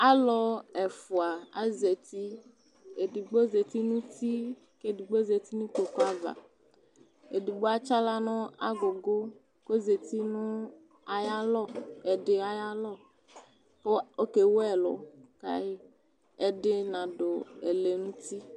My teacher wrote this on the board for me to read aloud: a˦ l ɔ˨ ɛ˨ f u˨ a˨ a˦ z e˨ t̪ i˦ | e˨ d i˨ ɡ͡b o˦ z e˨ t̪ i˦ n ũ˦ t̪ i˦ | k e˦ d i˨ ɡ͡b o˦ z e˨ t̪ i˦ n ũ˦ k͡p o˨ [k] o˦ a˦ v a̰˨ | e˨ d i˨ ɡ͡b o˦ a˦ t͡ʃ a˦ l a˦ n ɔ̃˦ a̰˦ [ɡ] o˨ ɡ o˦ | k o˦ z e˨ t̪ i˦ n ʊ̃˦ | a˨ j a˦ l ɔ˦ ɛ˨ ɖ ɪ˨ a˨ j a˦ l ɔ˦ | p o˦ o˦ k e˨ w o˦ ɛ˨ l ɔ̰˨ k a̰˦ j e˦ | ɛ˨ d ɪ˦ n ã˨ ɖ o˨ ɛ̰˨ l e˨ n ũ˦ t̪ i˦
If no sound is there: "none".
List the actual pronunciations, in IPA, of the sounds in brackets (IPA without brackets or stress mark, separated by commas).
k, ɡ